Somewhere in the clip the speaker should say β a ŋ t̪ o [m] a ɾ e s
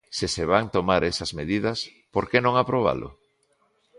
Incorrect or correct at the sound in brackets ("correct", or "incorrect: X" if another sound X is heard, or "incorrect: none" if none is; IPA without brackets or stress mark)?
correct